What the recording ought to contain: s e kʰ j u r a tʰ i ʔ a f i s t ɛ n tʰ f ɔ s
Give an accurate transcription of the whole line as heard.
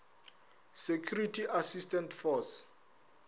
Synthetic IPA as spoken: s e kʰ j u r i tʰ i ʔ a s i s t ɛ n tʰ f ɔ s